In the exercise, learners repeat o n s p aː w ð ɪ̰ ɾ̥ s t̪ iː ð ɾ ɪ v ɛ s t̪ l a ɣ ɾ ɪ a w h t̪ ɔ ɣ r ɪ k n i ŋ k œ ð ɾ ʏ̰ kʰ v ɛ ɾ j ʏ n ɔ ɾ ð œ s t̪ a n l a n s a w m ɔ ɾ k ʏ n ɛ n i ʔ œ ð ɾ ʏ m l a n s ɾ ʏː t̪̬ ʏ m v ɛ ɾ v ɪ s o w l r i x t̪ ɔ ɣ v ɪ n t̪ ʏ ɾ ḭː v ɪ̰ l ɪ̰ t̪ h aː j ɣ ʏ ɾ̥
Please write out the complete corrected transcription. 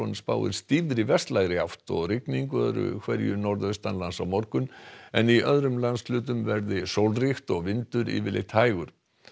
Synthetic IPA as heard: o n s p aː w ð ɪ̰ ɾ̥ s t̪ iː v ɾ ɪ v ɛ s t̪ l a ɣ ɾ ɪ a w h t̪ ɔ ɣ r ɪ k n i ŋ k œ ð ɾ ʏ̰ kʰ v ɛ ɾ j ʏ n ɔ ɾ ð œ s t̪ a n l a n s a w m ɔ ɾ k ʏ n ɛ n i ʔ œ ð ɾ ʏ m l a n s l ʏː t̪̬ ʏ m v ɛ ɾ ð ɪ s o w l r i x t̪ ɔ ɣ v ɪ n t̪ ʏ ɾ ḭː v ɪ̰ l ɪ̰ t̪ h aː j ɣ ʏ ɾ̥